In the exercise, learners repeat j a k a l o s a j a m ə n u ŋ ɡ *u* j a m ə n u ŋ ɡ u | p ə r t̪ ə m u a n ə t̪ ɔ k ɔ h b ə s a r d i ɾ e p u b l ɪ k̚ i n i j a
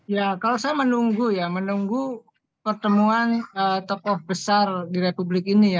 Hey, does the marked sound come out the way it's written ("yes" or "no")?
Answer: yes